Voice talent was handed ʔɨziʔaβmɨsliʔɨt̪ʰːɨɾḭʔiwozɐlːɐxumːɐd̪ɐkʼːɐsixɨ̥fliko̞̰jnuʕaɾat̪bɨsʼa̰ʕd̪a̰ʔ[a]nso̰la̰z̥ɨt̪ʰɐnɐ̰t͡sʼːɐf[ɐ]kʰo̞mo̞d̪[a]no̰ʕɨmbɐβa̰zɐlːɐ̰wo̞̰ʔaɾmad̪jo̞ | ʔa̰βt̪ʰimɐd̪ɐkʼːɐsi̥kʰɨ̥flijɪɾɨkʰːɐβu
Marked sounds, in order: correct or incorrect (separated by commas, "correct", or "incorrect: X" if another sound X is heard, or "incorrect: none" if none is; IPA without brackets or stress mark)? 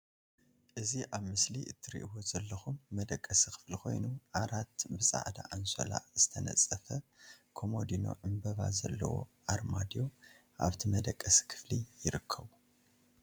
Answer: correct, correct, incorrect: i